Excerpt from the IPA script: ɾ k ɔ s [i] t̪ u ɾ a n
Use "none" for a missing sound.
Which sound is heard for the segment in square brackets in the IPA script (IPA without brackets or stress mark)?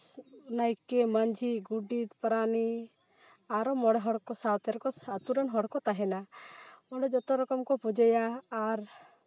a